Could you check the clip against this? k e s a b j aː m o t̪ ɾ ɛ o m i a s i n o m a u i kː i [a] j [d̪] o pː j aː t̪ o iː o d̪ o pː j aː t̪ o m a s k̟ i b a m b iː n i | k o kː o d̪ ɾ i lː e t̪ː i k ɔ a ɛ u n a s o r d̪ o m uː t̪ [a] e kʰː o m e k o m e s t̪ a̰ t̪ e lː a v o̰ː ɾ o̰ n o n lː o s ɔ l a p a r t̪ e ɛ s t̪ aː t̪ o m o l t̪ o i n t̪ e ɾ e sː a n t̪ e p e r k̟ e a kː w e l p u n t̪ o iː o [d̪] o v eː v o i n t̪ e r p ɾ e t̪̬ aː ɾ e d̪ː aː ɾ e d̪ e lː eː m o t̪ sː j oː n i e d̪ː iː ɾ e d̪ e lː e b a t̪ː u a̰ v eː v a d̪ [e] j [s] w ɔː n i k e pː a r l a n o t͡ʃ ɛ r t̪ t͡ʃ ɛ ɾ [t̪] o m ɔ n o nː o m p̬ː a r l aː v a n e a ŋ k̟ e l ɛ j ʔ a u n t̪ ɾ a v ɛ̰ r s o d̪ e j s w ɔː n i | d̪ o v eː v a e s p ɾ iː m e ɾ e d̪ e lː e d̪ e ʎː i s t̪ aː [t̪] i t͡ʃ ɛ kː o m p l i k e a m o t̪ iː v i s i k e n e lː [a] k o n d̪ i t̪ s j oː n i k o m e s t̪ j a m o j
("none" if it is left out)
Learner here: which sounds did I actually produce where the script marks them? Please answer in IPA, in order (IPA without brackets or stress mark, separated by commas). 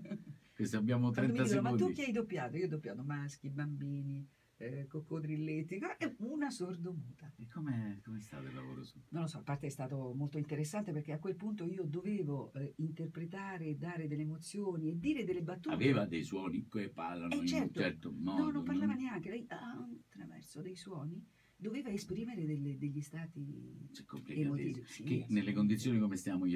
a, d̪, a, d̪, e, s, t̪, t̪, e